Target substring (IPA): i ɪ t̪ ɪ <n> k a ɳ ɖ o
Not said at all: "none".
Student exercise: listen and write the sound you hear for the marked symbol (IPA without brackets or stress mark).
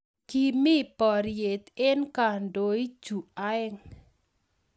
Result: n